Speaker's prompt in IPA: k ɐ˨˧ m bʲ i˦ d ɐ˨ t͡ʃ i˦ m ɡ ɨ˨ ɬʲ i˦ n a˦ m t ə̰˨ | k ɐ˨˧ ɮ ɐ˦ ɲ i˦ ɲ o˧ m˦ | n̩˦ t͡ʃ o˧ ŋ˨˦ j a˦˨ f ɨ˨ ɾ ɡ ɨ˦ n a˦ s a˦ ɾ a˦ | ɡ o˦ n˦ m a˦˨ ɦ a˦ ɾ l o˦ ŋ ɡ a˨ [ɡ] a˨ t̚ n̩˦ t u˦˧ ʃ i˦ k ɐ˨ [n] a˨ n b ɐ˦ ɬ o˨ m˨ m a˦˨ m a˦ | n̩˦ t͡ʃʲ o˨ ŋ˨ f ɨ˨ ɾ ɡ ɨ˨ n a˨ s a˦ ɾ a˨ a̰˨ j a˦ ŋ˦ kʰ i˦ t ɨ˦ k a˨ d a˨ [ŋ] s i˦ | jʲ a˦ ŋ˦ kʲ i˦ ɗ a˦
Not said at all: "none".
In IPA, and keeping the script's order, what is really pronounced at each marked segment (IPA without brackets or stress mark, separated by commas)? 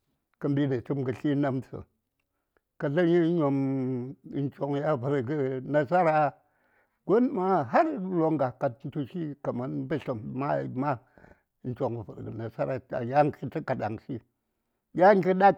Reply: k, m, ŋ